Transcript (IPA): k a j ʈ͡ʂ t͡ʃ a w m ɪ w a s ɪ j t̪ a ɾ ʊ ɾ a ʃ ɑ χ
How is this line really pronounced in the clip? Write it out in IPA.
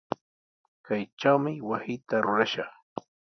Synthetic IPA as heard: k a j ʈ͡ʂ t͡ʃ a w m ɪ w a s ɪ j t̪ a ɾ ʊ ɾ a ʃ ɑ χ